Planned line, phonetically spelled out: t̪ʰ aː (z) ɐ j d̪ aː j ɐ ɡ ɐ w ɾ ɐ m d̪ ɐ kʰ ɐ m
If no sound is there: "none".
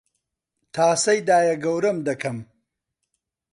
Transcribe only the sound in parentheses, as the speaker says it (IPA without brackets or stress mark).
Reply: s